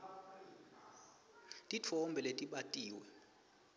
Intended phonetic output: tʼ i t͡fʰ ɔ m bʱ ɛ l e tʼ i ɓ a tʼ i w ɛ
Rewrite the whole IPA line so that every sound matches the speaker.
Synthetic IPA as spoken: tʼ i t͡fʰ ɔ m bʱ ɛ l e tʼ i ɓ a tʼ iː w ɛ